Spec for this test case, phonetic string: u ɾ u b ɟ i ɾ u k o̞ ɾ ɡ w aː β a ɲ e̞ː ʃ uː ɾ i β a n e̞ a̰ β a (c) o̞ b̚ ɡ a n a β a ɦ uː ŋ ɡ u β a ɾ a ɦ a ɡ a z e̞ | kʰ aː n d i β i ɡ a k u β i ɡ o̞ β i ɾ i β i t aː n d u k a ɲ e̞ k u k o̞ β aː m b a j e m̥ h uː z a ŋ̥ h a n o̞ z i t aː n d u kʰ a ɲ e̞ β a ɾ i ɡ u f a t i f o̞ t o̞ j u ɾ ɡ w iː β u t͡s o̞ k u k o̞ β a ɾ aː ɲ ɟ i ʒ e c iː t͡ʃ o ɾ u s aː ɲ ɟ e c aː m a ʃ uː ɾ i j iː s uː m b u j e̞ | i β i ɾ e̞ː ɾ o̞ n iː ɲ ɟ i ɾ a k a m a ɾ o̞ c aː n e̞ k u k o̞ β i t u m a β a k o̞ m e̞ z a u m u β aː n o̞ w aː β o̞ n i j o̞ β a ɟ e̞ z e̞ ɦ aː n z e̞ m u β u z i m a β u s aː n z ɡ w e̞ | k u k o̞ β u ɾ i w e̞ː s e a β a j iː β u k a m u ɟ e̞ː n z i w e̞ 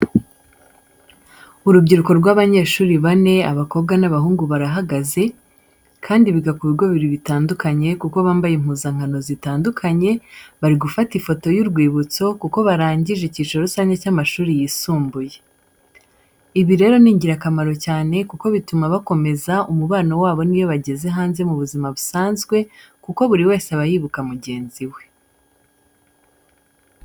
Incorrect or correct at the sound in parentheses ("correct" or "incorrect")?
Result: incorrect